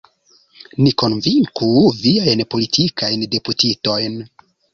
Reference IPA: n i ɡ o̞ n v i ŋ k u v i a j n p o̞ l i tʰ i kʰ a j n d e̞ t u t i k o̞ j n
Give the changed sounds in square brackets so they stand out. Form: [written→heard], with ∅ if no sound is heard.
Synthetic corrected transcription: n i [ɡ→k] o̞ n v i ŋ k u v i a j n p o̞ l i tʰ i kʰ a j n d e̞ [t→p] u t i [k→t] o̞ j n